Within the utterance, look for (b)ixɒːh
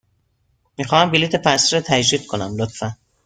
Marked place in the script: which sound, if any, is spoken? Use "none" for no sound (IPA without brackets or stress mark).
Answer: m